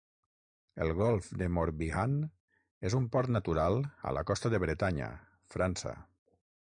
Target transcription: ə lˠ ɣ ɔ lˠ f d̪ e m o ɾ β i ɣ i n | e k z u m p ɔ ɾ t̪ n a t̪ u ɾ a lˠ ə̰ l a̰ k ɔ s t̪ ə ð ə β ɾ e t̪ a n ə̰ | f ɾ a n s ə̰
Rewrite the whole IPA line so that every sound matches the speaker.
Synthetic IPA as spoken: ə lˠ ɣ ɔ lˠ f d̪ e m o ɾ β i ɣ a n | e z u m p ɔ ɾ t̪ n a t̪ u ɾ a lˠ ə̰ l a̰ k ɔ s t̪ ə ð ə β ɾ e t̪ a ɲ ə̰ | f ɾ a n s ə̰